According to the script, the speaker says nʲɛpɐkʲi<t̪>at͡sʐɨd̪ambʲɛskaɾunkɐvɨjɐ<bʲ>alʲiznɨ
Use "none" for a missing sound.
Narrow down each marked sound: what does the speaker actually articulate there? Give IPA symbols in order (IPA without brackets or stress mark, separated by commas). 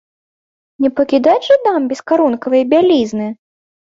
d̪, bʲ